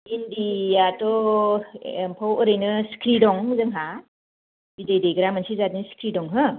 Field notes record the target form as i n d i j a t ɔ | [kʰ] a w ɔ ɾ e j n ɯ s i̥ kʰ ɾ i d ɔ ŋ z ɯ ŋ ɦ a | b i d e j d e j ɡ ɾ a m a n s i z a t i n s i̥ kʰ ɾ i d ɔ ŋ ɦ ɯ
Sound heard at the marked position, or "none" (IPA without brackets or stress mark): pʰ